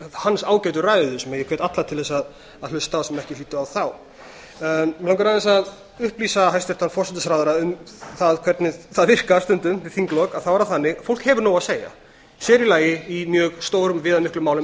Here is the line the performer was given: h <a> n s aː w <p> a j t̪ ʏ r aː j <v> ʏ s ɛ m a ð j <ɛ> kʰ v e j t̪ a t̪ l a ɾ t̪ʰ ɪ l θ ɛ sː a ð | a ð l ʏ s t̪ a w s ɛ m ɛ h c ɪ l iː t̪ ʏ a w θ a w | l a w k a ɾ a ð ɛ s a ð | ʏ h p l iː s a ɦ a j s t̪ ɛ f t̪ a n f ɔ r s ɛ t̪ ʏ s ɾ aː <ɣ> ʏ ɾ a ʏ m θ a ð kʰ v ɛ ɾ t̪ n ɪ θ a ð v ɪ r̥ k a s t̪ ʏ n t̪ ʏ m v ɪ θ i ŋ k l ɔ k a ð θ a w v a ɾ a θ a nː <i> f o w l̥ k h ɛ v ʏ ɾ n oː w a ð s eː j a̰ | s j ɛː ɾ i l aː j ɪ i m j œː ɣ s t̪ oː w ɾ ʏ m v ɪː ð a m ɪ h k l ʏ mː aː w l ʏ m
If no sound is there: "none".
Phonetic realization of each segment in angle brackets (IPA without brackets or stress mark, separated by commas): a, c, ð, ɛ, ð, ɪ